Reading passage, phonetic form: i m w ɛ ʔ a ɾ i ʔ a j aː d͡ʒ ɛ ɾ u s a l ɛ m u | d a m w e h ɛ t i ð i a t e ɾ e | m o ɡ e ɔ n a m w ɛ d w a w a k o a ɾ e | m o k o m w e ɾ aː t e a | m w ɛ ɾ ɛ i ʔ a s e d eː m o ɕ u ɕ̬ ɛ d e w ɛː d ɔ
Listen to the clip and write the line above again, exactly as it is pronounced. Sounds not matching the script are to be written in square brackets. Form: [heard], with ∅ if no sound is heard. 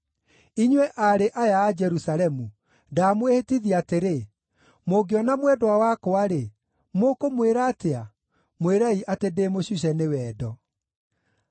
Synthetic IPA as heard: i [ɲ] w ɛ ʔ a ɾ [e] ʔ a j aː d͡ʒ ɛ ɾ u s a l ɛ m u | d a m w e h [e] t i ð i a t e ɾ e | m o ɡ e ɔ n a m w ɛ d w a w a k o a ɾ e | m o k o m w e ɾ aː t e a | m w [e] ɾ [a] i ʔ a [t] e d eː m o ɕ u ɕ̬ ɛ [n] e w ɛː d ɔ